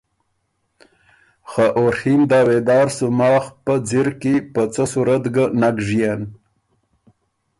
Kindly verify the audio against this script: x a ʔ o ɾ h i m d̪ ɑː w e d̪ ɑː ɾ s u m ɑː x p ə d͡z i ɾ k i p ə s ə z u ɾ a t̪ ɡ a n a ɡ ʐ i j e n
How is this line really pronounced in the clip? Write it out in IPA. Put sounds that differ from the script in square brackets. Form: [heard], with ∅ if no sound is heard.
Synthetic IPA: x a ʔ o ɾ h i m d̪ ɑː w e d̪ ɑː ɾ s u m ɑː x p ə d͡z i ɾ k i p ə [t͡s] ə [s] u ɾ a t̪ ɡ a n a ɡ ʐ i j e n